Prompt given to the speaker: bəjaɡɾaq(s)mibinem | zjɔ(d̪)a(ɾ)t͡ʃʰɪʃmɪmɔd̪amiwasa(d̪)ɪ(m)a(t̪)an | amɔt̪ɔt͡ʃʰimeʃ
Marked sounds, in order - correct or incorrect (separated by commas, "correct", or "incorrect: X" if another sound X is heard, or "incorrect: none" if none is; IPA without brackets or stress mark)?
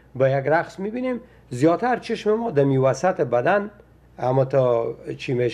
correct, incorrect: t̪, correct, incorrect: t̪, incorrect: b, incorrect: d̪